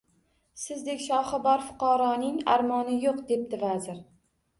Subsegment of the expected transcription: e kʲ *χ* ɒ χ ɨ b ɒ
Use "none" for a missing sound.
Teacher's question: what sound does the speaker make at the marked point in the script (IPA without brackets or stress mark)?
ʃ